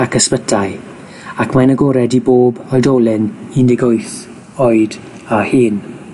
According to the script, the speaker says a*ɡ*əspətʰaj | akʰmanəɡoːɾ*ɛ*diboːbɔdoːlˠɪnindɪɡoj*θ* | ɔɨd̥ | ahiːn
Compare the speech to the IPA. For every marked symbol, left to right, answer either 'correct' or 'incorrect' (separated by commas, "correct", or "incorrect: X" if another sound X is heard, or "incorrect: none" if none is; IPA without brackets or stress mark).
incorrect: k, correct, correct